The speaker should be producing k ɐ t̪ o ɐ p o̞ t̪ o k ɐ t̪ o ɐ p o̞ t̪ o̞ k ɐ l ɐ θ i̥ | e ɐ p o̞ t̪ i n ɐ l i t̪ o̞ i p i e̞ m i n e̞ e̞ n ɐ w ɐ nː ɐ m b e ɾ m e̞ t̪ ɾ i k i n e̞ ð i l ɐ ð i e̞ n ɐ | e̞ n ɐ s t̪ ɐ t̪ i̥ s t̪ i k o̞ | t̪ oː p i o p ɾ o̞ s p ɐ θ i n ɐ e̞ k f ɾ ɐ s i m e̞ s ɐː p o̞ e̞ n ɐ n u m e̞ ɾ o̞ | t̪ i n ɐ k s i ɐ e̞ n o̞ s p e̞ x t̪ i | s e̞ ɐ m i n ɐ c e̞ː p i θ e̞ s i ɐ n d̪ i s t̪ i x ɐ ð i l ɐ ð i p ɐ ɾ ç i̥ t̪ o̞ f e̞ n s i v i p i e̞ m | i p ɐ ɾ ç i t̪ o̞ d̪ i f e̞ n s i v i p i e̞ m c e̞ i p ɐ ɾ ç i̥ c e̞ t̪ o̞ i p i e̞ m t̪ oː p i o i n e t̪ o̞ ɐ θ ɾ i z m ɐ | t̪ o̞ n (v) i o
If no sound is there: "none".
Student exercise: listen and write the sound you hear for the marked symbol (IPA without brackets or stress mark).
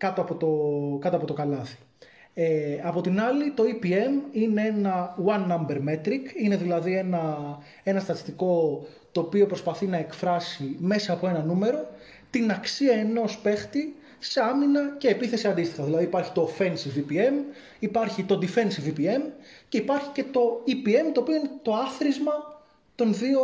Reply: ð